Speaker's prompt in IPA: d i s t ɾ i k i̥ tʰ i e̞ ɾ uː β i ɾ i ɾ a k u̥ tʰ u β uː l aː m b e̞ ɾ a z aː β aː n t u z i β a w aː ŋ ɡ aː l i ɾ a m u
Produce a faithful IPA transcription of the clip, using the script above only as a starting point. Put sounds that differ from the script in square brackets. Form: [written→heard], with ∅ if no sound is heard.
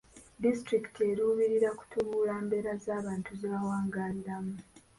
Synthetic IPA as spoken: d i s t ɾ i k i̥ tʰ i e̞ ɾ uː β i ɾ i ɾ a k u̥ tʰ u β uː l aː m b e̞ ɾ a z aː β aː n t u z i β a w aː ŋ ɡ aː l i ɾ a m u